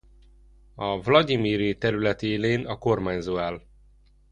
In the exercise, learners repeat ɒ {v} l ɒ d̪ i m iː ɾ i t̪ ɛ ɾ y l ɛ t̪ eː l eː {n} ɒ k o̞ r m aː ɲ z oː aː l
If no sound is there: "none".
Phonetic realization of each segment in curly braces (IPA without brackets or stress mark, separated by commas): v, n